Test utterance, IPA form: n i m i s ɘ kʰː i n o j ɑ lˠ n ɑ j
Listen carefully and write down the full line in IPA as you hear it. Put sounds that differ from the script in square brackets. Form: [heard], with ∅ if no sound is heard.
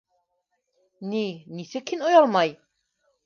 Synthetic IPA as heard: n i [n] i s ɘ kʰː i n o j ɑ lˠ [m] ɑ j